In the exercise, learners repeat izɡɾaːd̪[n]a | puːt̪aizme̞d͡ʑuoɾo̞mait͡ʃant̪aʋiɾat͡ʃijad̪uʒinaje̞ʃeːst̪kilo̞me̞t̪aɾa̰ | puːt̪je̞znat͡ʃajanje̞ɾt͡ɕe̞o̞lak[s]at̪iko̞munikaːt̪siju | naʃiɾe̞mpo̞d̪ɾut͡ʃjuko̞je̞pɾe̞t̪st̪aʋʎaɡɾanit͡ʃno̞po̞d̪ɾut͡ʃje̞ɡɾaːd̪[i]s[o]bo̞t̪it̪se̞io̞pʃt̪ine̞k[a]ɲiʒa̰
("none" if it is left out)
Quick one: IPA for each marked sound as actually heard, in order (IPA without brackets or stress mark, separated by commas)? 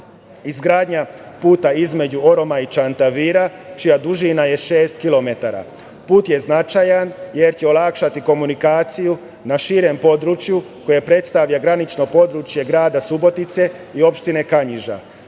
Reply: ɲ, ʃ, a, u, a